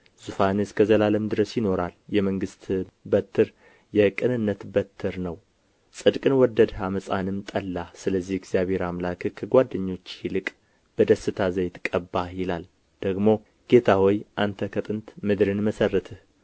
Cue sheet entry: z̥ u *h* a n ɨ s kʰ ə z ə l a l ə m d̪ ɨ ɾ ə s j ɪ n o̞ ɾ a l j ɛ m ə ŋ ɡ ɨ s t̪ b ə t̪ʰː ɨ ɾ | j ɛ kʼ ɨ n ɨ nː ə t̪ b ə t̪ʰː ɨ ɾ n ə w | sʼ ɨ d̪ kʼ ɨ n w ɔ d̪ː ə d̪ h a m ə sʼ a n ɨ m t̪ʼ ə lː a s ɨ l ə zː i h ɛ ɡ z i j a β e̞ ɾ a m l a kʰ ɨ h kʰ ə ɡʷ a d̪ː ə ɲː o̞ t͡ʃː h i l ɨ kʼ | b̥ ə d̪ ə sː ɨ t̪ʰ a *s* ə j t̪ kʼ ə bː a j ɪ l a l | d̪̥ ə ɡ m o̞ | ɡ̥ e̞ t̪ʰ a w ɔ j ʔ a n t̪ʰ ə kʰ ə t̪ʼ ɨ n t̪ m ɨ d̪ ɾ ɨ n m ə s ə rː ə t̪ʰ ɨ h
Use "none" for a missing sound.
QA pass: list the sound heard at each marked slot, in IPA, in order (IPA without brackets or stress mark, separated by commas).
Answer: f, z